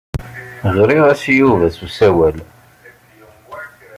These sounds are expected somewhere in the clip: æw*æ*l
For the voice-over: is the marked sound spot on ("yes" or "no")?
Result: yes